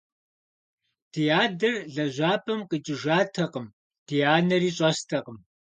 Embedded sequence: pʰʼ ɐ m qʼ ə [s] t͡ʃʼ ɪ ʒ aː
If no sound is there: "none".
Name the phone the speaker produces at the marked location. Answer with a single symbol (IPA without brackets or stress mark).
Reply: none